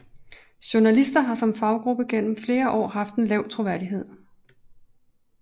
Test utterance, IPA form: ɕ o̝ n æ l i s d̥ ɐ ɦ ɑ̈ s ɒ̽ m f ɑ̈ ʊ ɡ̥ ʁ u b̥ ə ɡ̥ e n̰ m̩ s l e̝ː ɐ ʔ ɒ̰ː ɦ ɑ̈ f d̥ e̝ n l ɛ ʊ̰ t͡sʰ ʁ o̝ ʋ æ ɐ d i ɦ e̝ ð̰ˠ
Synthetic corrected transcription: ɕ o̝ n æ l i s d̥ ɐ ɦ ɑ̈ s ɒ̽ m f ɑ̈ ʊ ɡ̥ ʁ u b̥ ə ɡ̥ e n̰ m̩ f l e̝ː ɐ ʔ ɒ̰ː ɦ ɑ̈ f d̥ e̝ n l ɛ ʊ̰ t͡sʰ ʁ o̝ ʋ æ ɐ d i ɦ e̝ ð̰ˠ

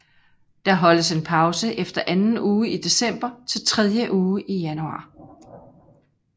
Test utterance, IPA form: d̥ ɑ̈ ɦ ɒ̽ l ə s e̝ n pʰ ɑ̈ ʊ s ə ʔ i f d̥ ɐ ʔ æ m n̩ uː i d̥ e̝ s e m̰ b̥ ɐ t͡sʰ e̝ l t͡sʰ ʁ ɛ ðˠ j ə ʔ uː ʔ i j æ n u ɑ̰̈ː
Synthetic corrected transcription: d̥ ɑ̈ ɦ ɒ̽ l ə s e̝ n pʰ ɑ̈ ʊ s ə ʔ e f d̥ ɐ ʔ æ n n̩ uː i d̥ e̝ s e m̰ b̥ ɐ t͡sʰ e̝ l t͡sʰ ʁ ɛ ðˠ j ə ʔ uː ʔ i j æ n u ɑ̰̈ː

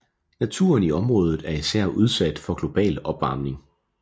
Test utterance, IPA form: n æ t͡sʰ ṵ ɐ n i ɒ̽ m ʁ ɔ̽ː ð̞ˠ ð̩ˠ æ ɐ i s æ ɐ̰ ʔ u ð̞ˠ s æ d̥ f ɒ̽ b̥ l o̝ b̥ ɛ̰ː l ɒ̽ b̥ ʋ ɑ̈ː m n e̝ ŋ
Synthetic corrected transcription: n æ t͡sʰ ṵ ɐ n i ɒ̽ m ʁ ɔ̽ː ð̞ˠ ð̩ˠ æ ɐ i s æ ɐ̰ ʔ u ð̞ˠ s æ d̥ f ɒ̽ ɡ̥ l o̝ b̥ ɛ̰ː l ɒ̽ b̥ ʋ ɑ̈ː m n e̝ ŋ

